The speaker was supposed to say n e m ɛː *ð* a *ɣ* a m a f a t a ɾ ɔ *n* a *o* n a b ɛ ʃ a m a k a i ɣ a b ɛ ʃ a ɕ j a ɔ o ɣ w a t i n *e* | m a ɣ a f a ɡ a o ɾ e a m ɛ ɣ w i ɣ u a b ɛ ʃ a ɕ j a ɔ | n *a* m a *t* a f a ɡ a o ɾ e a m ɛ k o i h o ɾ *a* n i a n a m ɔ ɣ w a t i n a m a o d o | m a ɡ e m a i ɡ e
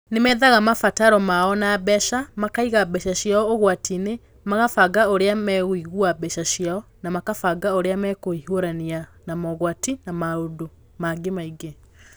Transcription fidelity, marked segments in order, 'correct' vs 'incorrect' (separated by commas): correct, correct, incorrect, incorrect, correct, correct, incorrect, correct